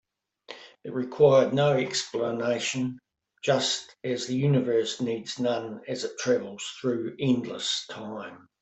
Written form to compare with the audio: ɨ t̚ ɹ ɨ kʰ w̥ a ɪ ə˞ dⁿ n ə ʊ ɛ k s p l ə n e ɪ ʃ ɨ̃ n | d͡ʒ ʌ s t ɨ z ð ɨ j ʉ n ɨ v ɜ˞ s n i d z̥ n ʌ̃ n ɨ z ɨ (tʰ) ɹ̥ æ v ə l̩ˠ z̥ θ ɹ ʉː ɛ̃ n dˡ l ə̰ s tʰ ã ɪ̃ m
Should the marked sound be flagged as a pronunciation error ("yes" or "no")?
no